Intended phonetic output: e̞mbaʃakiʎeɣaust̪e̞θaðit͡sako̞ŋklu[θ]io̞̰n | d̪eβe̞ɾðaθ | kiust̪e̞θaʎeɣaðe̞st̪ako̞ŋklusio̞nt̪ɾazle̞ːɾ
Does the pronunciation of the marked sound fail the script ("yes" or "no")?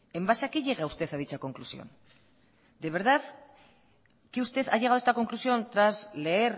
yes